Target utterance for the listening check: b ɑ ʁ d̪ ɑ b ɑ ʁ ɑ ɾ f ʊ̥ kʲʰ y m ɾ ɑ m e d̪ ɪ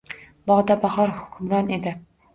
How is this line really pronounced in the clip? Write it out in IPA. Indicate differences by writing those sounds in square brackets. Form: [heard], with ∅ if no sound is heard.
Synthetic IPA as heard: b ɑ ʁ d̪ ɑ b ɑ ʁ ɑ ɾ [h] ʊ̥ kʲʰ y m ɾ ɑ [n] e d̪ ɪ